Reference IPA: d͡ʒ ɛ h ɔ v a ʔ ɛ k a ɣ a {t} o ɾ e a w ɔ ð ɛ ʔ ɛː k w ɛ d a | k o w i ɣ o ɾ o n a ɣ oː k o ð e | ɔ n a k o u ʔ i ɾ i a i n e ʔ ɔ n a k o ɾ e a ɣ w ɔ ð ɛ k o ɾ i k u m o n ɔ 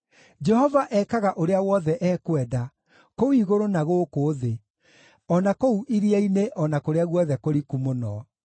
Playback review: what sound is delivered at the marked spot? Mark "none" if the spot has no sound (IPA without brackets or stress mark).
ʔ